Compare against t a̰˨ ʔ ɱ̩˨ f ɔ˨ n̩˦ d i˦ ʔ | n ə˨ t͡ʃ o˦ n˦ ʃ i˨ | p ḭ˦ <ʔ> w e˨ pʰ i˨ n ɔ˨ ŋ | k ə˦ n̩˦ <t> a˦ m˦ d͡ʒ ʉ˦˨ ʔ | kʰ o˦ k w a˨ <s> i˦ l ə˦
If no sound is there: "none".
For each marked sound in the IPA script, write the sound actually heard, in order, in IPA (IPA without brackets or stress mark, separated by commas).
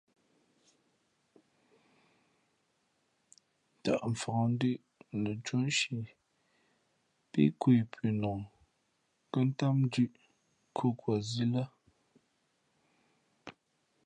k, t, z